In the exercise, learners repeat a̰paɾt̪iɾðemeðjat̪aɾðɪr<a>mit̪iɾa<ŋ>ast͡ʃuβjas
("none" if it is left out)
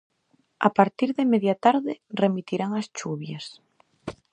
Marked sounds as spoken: e, ŋ

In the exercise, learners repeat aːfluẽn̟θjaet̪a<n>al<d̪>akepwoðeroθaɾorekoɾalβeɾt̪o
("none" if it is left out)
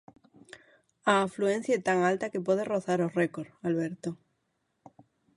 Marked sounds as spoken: ŋ, t̪

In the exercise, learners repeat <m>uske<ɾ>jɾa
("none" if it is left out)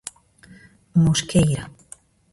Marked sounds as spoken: m, none

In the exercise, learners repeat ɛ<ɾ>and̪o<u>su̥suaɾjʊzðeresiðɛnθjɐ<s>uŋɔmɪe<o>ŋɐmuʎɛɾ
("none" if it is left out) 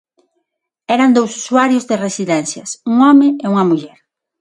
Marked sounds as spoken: ɾ, w, s, u

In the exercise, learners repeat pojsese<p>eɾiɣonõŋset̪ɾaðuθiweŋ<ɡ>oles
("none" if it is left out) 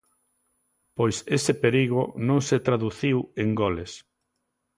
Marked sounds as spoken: p, ɡ

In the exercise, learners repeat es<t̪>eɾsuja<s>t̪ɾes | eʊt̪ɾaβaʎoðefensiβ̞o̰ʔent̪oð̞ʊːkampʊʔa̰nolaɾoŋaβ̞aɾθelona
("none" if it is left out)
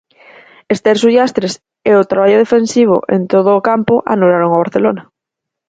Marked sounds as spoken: t̪, s

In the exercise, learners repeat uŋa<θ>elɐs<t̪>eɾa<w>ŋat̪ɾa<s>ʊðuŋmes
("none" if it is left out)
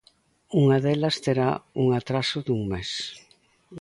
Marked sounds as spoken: ð, t̪, u, s

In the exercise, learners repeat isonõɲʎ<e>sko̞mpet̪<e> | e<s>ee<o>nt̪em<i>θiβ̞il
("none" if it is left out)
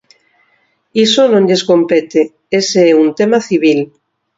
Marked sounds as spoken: e, e, s, u, a

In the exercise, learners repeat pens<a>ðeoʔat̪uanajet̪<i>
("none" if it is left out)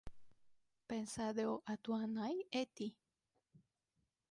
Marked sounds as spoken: a, i

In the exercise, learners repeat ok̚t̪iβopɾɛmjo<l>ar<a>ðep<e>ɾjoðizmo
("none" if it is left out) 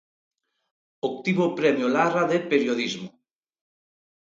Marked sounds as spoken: l, a, e

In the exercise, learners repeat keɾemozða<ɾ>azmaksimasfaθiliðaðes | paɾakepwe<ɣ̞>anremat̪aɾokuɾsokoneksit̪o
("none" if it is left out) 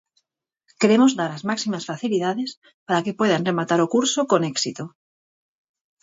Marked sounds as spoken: ɾ, ð̞

